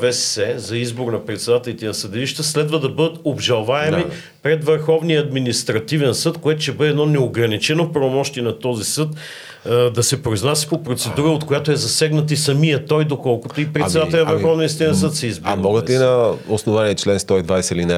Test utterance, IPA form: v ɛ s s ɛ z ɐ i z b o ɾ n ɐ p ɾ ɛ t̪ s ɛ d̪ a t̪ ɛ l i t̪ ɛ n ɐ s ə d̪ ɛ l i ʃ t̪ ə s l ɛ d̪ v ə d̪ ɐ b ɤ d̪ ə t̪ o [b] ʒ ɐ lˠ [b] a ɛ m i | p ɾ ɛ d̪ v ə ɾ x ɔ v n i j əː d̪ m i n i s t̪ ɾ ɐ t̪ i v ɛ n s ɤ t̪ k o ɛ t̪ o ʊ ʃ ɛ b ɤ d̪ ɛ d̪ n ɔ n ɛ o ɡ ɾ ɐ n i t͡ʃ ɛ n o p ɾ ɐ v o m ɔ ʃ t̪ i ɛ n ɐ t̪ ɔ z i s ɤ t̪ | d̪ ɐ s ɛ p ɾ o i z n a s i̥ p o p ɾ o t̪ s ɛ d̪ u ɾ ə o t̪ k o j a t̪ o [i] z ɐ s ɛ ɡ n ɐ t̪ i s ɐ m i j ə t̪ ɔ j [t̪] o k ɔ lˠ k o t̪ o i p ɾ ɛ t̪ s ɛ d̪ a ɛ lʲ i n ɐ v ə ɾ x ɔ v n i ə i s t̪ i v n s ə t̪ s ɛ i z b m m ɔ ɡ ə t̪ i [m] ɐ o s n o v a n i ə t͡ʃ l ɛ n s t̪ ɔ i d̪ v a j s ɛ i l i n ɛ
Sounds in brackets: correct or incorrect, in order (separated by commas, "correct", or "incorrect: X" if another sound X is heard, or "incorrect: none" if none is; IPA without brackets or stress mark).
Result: correct, incorrect: v, incorrect: ɛ, incorrect: d̪, incorrect: n